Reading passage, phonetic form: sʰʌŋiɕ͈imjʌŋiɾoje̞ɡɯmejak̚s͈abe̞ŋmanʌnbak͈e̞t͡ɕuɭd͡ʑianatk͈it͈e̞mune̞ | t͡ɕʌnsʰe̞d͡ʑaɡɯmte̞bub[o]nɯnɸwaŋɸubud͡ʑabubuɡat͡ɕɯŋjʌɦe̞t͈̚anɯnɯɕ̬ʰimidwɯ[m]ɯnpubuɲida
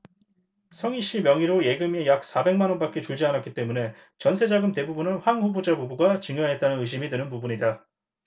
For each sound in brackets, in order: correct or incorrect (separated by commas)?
incorrect, incorrect